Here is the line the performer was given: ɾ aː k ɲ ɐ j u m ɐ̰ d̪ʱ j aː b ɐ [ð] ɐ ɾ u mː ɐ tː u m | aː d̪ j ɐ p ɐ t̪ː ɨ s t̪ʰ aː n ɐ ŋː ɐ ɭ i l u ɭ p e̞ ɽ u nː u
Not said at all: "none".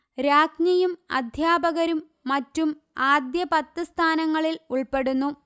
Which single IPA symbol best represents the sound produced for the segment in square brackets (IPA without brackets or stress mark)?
ɣ